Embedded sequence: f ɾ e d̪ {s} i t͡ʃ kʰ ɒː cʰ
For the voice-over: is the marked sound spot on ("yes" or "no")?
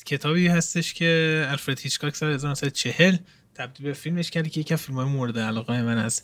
no